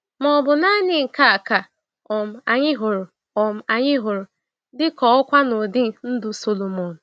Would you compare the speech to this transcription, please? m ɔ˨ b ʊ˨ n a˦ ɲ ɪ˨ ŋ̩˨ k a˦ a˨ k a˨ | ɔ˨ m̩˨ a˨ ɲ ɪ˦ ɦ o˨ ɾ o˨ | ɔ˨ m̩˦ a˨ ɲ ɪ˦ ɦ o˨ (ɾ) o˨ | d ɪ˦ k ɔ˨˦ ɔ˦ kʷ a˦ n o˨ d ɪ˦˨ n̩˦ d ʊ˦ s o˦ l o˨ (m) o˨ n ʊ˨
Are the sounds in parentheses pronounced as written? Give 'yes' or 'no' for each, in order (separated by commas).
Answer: yes, yes